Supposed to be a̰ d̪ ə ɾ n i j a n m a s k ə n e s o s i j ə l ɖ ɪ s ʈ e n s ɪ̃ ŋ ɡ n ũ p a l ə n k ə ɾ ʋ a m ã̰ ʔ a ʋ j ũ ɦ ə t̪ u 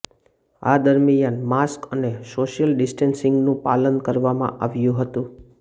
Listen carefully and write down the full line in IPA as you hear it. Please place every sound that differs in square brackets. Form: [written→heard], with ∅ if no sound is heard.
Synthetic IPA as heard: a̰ d̪ ə ɾ [n→m] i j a n m a s k ə n e s o [s→ʃ] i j ə l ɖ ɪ s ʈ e n s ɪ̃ ŋ ɡ n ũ p a l ə n k ə ɾ ʋ a m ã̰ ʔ a ʋ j ũ ɦ ə t̪ [u→ũ]